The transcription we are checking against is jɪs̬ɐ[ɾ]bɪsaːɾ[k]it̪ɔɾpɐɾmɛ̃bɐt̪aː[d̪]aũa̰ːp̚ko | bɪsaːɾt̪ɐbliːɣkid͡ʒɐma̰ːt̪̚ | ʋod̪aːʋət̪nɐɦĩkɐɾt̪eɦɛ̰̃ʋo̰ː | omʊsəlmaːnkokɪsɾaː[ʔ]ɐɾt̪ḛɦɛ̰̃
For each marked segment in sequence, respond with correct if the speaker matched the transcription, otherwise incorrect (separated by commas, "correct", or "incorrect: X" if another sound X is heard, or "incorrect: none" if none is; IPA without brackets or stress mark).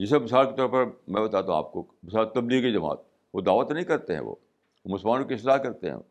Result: incorrect: none, correct, incorrect: t̪, incorrect: k